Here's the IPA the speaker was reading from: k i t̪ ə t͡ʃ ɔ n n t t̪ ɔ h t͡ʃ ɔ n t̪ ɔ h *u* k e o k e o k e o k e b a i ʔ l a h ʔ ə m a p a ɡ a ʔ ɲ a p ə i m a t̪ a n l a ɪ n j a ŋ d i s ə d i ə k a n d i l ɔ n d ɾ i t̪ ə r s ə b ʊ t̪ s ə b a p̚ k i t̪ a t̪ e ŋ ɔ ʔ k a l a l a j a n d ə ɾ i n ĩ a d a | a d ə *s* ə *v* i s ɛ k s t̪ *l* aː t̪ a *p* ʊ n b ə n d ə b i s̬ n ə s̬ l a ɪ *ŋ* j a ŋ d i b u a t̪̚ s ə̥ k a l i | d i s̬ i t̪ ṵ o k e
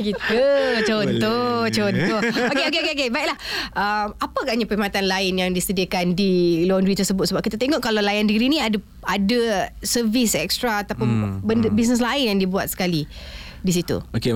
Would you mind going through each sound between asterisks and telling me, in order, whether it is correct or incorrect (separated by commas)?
incorrect, correct, correct, incorrect, correct, incorrect